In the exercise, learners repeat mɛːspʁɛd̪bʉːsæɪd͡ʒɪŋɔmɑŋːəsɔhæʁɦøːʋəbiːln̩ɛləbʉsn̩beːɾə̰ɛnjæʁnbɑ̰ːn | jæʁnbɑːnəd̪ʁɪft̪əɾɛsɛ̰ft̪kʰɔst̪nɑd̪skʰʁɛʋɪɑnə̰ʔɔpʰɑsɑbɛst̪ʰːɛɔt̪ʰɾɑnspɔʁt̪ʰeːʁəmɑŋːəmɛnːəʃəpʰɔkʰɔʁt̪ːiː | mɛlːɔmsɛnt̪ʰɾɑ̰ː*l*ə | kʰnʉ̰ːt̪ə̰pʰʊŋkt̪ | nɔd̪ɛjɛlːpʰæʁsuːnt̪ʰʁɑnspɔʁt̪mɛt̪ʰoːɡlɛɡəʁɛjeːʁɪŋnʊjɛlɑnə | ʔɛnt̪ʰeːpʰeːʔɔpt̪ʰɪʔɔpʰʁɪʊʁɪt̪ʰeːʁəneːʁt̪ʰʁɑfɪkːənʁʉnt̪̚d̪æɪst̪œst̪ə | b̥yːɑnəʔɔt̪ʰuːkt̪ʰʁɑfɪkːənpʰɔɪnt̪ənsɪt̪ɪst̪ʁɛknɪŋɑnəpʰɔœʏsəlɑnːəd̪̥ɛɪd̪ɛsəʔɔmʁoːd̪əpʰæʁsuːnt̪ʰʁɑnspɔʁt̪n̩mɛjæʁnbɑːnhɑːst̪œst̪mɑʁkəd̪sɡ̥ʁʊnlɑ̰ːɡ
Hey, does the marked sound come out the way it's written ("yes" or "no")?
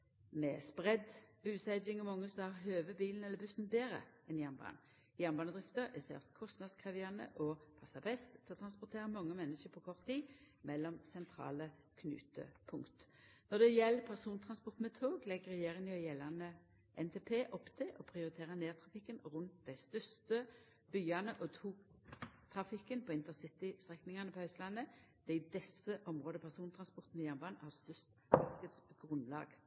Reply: yes